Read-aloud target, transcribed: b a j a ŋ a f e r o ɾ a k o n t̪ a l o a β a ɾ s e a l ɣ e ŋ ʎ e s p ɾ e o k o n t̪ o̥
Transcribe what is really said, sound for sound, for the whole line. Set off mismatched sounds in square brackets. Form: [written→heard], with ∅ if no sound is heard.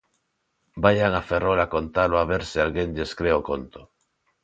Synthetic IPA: b a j a ŋ a f e r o [ɾ→l] a k o n t̪ a l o a β [a→e] ɾ s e a l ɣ e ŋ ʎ e s [p→k] ɾ e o k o n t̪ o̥